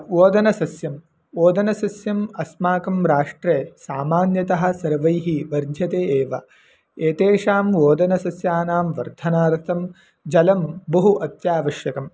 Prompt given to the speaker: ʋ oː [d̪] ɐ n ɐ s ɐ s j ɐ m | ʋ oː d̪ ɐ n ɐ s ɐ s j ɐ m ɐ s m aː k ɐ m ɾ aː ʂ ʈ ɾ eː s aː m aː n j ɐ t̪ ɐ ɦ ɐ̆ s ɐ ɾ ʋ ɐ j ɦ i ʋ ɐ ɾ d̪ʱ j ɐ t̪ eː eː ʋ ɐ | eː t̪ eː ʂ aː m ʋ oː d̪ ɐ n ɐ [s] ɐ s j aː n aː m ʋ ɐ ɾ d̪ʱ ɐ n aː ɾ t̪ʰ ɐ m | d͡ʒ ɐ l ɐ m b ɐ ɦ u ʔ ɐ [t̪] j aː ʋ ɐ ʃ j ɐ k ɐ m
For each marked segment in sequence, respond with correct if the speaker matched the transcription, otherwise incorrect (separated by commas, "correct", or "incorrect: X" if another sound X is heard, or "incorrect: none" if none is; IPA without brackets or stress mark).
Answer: correct, correct, correct